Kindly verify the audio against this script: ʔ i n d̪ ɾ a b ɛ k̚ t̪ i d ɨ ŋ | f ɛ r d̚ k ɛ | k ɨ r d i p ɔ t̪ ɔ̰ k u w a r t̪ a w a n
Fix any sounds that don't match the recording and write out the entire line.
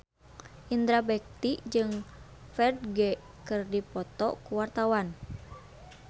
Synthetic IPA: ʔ i n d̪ ɾ a b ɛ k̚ t̪ i d͡ʒ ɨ ŋ | f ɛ r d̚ ɡ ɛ | k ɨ r d i p ɔ t̪ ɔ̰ k u w a r t̪ a w a n